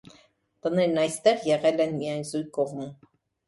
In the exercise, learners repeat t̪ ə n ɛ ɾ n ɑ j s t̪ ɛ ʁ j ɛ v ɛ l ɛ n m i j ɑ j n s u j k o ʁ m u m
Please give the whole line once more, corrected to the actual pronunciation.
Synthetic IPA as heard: t̪ ə n ɛ ɾ n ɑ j s t̪ ɛ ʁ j ɛ ʁ ɛ l ɛ n m i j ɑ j n z u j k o ʁ m u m